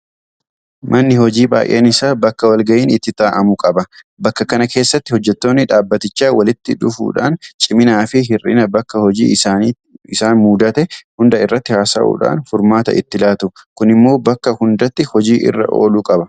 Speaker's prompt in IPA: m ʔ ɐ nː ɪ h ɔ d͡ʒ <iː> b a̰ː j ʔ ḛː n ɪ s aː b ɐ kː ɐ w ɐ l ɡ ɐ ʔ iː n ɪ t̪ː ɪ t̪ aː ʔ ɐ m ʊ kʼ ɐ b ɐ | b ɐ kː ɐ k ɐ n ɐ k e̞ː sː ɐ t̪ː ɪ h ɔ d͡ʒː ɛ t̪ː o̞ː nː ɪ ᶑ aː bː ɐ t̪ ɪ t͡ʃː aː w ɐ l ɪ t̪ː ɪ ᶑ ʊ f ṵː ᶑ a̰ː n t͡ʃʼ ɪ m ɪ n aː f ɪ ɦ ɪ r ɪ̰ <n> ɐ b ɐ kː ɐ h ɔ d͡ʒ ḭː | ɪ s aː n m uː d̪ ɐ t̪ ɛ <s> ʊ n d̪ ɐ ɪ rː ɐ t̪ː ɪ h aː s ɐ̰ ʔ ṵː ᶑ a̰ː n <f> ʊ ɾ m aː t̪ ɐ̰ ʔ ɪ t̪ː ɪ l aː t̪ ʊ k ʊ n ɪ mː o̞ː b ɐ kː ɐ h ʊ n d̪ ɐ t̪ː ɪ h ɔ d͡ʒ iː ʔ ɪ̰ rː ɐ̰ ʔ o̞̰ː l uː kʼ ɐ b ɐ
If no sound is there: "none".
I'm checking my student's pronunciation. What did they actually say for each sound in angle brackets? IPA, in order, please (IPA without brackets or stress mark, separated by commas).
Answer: iː, n, h, f